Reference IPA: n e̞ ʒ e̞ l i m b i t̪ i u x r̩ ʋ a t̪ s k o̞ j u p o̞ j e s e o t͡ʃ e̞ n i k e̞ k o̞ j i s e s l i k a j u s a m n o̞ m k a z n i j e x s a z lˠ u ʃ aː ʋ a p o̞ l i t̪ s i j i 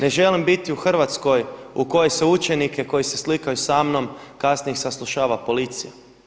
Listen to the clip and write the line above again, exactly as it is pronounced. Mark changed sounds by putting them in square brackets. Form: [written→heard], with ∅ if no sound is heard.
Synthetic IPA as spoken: n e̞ ʒ e̞ l i m b i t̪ i u x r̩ ʋ a t̪ s k o̞ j u [p→k] o̞ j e s e [o→u] t͡ʃ e̞ n i k e̞ k o̞ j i s e s l i k a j u s a m n o̞ m k a [z→s] n i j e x s a [z→s] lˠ u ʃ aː ʋ a p o̞ l i t̪ s i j [i→a]

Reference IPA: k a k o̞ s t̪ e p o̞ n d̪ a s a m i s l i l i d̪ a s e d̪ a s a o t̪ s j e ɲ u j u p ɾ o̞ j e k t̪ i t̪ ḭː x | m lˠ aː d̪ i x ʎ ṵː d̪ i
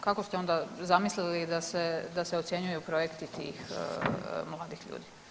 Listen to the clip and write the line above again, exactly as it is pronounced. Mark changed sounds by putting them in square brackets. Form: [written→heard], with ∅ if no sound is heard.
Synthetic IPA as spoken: k a k o̞ s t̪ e [p→∅] o̞ n d̪ a [s→z] a m i s l i l i d̪ a s e d̪ a s [a→e] o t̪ s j e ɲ u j u p ɾ o̞ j e k t̪ i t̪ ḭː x | m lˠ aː d̪ i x ʎ ṵː d̪ i

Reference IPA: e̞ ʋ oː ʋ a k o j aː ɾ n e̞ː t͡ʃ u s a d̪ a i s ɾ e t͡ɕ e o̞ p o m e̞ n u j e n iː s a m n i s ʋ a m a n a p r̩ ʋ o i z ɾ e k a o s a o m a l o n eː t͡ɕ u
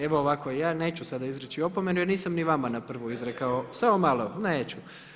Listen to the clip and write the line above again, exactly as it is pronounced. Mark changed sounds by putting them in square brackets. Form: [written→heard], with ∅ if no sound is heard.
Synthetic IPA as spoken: e̞ ʋ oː ʋ a k o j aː [ɾ→∅] n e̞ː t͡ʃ u s a d̪ a i [s→z] ɾ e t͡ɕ [e→i] o̞ p o m e̞ n u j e n iː s a m n i [s→∅] ʋ a m a n a p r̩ ʋ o i z ɾ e k a o s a o m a l o n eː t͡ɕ u

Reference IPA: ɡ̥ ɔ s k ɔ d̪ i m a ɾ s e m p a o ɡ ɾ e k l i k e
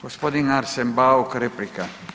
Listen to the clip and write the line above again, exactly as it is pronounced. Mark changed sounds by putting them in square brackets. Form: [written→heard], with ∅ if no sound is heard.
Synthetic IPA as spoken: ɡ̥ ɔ s [k→p] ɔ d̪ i [m→ŋ] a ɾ s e m [p→b] a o [ɡ→k] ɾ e [k→p] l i k [e→a]

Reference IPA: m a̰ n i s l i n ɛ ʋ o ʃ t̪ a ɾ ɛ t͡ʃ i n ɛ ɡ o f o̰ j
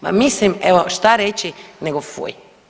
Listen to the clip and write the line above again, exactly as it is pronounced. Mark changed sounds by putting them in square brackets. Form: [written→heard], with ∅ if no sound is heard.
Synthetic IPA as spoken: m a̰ [n→m] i s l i [n→m] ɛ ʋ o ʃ t̪ a ɾ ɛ t͡ʃ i n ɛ ɡ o f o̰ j

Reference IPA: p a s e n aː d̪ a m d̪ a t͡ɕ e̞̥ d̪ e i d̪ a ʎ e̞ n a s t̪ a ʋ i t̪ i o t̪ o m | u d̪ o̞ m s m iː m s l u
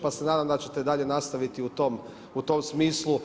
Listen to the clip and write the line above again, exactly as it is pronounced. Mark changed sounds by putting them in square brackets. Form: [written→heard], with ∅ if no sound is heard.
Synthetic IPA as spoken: p a s e n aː d̪ a m d̪ a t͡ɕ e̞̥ [d̪→t̪] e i d̪ a ʎ e̞ n a s t̪ a ʋ i t̪ i [o→u] t̪ o m | u [d̪→t̪] o̞ m s m iː [m→∅] s l u

